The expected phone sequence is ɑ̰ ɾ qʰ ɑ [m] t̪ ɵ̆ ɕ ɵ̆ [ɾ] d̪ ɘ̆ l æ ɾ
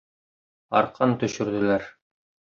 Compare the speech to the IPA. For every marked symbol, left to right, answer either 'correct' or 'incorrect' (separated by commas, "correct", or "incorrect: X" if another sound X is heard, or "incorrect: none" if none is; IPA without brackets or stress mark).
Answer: incorrect: n, correct